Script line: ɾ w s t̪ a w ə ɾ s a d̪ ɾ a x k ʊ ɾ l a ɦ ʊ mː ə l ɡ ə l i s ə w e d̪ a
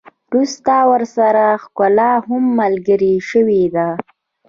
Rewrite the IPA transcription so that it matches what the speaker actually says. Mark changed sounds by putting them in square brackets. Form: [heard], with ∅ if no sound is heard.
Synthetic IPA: ɾ [u] s t̪ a w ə ɾ s a [∅] ɾ a x k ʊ [∅] l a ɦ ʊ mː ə l ɡ ə [ɾ] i [ʃ] ə w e d̪ a